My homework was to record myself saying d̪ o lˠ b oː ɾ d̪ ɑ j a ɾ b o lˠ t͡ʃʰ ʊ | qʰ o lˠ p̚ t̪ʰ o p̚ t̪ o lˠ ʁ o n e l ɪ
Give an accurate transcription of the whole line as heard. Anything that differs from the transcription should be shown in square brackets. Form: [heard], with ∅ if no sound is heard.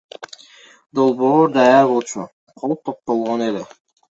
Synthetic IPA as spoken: d̪ o lˠ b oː ɾ d̪ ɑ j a ɾ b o lˠ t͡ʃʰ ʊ | qʰ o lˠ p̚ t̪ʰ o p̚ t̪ o lˠ ʁ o n e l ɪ